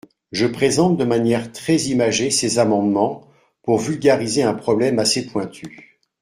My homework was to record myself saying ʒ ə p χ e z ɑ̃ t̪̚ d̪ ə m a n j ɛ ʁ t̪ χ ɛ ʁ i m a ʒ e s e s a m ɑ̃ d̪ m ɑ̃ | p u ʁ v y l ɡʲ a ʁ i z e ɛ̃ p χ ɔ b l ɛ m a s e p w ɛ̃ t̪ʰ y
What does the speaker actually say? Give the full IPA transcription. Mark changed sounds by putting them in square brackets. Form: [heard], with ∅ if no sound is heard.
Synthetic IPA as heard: ʒ ə p χ e z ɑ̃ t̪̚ d̪ ə m a n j ɛ ʁ t̪ χ ɛ [z] i m a ʒ e s e [z] a m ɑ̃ d̪ m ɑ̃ | p u ʁ v y l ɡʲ a ʁ i z e ɛ̃ p χ ɔ b l ɛ m a s e p w ɛ̃ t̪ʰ y